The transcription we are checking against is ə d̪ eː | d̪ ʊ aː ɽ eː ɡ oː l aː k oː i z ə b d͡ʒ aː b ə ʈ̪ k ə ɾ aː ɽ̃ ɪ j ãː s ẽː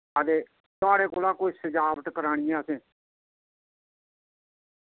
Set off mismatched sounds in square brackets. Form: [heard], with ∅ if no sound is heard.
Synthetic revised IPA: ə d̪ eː | [t̪] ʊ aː ɽ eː [k] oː l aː k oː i [s] ə [∅] d͡ʒ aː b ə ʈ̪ k ə ɾ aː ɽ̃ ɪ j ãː s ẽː